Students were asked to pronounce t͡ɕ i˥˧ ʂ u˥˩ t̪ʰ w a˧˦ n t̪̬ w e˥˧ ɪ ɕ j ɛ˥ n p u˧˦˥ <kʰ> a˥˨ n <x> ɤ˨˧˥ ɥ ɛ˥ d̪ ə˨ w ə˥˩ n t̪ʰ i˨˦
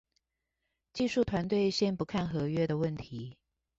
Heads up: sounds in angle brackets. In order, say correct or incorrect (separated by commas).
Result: correct, correct